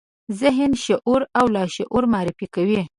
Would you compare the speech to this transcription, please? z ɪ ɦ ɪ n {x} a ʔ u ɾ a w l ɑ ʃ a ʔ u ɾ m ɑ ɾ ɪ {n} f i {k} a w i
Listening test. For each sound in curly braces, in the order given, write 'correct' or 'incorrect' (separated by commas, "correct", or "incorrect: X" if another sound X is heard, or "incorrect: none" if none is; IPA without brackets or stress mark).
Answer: incorrect: ʃ, incorrect: none, correct